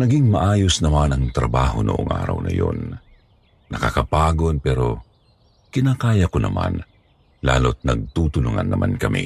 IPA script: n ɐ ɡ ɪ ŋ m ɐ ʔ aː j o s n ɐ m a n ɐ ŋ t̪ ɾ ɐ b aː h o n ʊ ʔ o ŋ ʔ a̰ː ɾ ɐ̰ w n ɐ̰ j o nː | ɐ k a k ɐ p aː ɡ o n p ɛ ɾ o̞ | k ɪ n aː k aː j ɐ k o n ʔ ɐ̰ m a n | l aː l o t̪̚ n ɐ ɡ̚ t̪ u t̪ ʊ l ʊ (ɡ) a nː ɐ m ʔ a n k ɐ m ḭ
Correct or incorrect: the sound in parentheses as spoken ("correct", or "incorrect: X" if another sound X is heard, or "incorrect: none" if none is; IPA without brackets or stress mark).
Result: incorrect: ŋ